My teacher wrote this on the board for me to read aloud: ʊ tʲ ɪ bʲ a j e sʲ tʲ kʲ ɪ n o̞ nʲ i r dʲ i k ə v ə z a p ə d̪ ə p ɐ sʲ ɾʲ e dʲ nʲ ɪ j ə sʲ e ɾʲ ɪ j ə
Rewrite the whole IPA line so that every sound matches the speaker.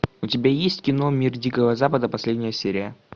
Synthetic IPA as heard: ʊ tʲ ɪ bʲ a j e sʲ tʲ kʲ ɪ n o̞ mʲ i r dʲ i k ə v ə z a p ə d̪ ə p ɐ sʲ lʲ e dʲ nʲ ɪ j ə sʲ e ɾʲ ɪ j ə